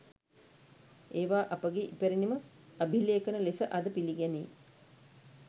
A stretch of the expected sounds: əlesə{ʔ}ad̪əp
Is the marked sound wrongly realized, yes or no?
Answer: no